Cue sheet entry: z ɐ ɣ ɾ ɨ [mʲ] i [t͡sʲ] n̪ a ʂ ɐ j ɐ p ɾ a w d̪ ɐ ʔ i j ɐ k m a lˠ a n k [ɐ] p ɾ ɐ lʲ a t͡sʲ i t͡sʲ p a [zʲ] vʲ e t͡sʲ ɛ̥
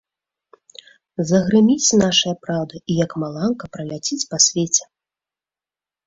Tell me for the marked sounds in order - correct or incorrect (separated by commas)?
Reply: correct, correct, correct, incorrect